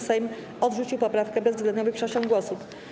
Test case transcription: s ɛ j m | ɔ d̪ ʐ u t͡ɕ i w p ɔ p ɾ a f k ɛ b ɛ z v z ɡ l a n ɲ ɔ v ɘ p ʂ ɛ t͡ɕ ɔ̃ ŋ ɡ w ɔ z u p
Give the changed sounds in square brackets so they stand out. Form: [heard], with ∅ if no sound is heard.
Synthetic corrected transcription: s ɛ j m | ɔ d̪ ʐ u t͡ɕ i w p ɔ p ɾ a f k ɛ b ɛ z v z ɡ l [ɛ] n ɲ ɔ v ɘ p ʂ ɛ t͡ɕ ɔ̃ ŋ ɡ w ɔ [s] u p